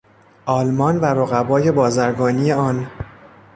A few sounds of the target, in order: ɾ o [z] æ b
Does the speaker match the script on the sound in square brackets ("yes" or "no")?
no